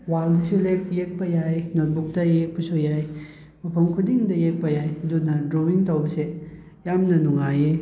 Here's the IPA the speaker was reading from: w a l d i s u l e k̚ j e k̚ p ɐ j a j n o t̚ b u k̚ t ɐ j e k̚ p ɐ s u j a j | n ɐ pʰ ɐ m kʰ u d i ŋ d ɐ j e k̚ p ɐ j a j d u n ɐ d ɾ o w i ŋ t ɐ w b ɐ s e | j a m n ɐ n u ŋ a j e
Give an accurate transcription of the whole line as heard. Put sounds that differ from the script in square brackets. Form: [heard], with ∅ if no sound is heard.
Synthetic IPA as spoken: w a l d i s u l e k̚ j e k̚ p ɐ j a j n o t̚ b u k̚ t ɐ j e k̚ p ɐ s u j a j | [m] ɐ pʰ ɐ m kʰ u d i ŋ d ɐ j e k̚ p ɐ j a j d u n ɐ d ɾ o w i ŋ t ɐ w b ɐ s e | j a m n ɐ n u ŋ a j e